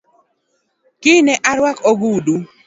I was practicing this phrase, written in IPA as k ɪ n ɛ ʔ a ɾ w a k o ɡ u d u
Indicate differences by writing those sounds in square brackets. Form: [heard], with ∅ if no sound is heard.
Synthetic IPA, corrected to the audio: k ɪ n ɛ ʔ a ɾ w a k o ɡ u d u